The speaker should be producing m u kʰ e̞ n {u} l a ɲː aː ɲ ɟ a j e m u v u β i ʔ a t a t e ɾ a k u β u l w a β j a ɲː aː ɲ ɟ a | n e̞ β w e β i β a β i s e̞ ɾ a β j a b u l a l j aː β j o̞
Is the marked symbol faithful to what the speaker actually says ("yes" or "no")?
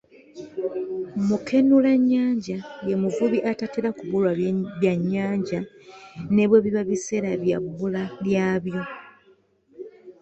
yes